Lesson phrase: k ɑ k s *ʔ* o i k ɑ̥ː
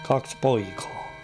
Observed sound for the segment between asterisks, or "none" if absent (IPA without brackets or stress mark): p